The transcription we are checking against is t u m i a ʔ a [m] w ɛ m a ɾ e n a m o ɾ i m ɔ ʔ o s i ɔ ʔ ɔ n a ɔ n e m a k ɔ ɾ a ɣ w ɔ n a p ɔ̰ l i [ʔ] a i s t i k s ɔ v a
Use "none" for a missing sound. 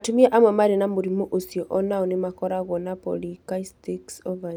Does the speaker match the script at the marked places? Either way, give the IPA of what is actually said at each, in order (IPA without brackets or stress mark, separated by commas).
m, k